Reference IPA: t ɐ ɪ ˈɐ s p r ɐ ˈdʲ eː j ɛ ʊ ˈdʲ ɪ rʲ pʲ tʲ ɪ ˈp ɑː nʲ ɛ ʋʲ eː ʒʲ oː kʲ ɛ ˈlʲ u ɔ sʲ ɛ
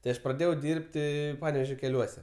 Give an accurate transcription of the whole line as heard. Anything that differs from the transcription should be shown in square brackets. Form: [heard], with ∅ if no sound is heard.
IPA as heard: t ɐ ɪ ˈɐ [ʃ] p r ɐ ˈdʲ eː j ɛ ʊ ˈdʲ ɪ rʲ pʲ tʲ ɪ ˈp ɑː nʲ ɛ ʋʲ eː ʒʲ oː kʲ ɛ ˈlʲ u ɔ sʲ ɛ